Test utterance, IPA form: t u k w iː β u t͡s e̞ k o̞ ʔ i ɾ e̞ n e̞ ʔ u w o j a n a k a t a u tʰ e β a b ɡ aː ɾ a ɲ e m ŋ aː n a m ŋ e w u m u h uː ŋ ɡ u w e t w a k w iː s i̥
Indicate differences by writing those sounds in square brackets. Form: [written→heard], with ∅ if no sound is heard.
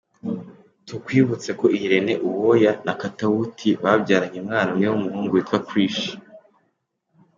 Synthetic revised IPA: t u k w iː β u t͡s e̞ k o̞ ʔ i ɾ e̞ n e̞ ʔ u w o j a n a k a t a u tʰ [e→i] β a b [ɡ→ɟ] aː ɾ a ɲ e m ŋ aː n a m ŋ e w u m u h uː ŋ ɡ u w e t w a k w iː [s→ʃ] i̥